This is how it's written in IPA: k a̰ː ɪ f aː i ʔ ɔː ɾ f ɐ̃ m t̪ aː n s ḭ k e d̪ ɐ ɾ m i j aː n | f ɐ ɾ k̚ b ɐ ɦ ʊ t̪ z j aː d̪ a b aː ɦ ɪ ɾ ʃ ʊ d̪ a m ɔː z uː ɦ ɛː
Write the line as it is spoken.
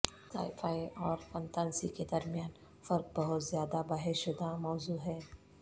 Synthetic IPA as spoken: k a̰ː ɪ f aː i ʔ ɔː ɾ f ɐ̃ n t̪ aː n s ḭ k e d̪ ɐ ɾ m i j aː n | f ɐ ɾ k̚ b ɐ ɦ ʊ t̪ z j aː d̪ a b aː ɦ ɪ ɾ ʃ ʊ d̪ a m ɔː z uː ɦ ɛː